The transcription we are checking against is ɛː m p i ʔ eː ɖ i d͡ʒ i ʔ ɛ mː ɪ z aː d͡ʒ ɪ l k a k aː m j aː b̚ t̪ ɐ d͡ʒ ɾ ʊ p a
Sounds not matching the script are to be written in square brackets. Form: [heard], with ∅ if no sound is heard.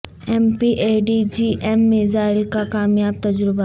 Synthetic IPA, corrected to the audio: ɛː m p i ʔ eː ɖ i d͡ʒ i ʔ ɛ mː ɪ z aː [∅] ɪ l k a k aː m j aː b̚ t̪ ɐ d͡ʒ ɾ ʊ [b] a

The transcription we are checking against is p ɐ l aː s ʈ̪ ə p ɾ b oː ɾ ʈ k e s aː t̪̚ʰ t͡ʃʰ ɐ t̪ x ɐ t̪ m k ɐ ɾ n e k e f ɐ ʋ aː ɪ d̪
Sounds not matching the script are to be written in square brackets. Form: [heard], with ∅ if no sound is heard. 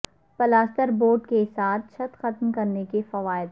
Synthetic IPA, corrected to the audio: p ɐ l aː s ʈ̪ ə [∅] ɾ b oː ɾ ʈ k e s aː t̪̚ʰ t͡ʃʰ ɐ t̪ x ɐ t̪ m k ɐ ɾ n e k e f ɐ ʋ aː ɪ d̪

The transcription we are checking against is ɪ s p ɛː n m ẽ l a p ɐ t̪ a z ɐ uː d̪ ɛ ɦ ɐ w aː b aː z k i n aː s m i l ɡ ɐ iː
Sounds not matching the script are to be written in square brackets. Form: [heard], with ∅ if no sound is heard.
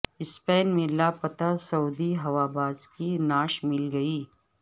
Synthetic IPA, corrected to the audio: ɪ s p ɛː n m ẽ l a p ɐ t̪ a [s] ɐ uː d̪ [i] ɦ ɐ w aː b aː z k i n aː [ʃ] m [ɪ] l ɡ ɐ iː

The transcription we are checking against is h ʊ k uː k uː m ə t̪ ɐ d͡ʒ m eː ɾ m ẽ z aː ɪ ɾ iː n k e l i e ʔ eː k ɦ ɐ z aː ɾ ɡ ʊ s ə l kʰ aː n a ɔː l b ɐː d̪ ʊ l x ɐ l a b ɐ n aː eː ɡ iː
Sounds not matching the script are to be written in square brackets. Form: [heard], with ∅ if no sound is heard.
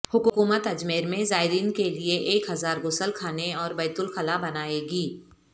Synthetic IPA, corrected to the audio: h ʊ k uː k uː m ə t̪ ɐ d͡ʒ m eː ɾ m ẽ z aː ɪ ɾ iː n k e l i e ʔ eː k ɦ ɐ z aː ɾ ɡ ʊ s ə l kʰ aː n [e] ɔː [ɾ] b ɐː [t̪] ʊ l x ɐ l a b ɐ n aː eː ɡ iː

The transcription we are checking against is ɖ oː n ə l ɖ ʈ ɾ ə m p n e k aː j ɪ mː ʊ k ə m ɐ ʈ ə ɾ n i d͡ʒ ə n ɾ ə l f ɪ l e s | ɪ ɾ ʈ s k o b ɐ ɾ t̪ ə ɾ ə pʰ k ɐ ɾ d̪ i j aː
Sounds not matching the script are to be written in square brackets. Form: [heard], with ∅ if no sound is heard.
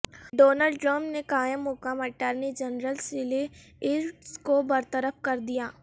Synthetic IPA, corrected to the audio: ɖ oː n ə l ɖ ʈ ɾ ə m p n e k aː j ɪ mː ʊ k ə m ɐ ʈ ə ɾ n i d͡ʒ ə n ɾ ə l [s] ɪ l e [∅] | ɪ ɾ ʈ s k o b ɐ ɾ t̪ ə ɾ ə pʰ k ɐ ɾ d̪ i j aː

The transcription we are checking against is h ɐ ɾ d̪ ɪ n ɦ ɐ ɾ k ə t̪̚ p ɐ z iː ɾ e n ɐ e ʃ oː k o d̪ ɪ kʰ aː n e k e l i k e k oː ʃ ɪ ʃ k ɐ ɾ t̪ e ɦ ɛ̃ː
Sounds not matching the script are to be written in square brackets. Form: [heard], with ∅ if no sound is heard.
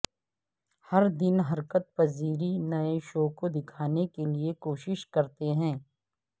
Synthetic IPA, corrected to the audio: h ɐ ɾ d̪ ɪ n ɦ ɐ ɾ k ə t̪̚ p ɐ z iː ɾ [i] n ɐ e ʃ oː k o d̪ ɪ kʰ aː n e k e l i [∅] e k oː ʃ ɪ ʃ k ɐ ɾ t̪ e ɦ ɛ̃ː

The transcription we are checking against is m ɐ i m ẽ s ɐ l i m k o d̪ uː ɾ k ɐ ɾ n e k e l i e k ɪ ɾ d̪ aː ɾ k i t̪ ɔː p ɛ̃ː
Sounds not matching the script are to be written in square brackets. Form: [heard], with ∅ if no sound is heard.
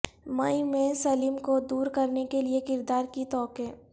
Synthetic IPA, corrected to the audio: m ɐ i m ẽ s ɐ l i m k o d̪ uː ɾ k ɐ ɾ n e k e l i e k ɪ ɾ d̪ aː ɾ k i t̪ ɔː [k] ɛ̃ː

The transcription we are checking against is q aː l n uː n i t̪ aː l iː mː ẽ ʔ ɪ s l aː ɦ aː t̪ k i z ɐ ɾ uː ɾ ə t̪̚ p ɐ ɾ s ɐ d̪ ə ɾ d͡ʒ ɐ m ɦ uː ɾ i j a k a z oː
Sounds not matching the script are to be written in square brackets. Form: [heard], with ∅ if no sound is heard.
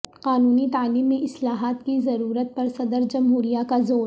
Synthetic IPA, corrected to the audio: q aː [∅] n uː n i t̪ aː l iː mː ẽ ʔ ɪ s l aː ɦ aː t̪ k i z ɐ ɾ uː ɾ ə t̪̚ p ɐ ɾ s ɐ d̪ ə ɾ d͡ʒ ɐ m ɦ uː ɾ i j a k a z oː

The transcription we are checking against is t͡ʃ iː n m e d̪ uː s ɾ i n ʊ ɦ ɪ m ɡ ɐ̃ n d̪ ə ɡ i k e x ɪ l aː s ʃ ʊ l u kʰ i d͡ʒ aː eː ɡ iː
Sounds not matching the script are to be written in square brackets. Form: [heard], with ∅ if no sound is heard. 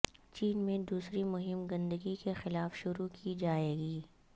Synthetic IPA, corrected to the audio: t͡ʃ iː n m [ẽ] d̪ uː s ɾ i [m] ʊ ɦ ɪ m ɡ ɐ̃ n d̪ ə ɡ i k e x ɪ l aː [f] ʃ ʊ [ɾ] u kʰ i d͡ʒ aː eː ɡ iː

